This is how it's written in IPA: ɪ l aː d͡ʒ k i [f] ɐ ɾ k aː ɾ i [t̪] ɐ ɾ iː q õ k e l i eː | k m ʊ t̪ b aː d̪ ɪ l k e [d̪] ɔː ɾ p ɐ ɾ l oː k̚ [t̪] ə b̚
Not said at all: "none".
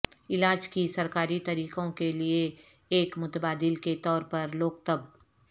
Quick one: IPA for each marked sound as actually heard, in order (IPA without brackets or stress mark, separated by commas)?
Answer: s, t̪, t̪, t̪